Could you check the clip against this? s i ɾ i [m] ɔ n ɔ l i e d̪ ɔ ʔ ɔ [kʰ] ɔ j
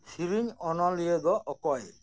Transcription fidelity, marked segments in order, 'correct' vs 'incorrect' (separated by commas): incorrect, incorrect